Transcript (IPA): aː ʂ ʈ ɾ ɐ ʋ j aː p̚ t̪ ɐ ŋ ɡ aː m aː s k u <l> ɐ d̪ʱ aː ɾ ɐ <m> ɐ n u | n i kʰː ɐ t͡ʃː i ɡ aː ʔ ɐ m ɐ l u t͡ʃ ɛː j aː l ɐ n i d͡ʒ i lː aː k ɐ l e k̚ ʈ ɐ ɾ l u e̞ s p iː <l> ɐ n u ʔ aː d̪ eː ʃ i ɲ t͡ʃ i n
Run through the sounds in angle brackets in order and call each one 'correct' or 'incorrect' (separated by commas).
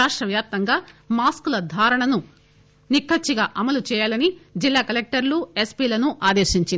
correct, incorrect, correct